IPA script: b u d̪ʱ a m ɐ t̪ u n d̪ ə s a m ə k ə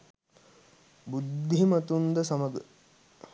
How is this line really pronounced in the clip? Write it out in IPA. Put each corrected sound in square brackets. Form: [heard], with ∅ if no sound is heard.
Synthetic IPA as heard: b u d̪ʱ [i] m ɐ t̪ u n d̪ ə s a m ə [ɡ] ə